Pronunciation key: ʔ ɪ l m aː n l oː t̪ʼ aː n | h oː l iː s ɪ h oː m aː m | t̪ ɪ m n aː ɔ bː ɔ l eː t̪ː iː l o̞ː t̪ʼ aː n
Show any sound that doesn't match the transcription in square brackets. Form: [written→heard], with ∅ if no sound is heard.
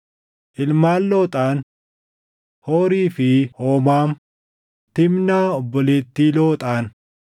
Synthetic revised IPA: ʔ ɪ l m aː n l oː t̪ʼ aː n | h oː [l→ɾ] iː [s→f] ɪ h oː m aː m | t̪ ɪ m n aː ɔ bː ɔ l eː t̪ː iː l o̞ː t̪ʼ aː n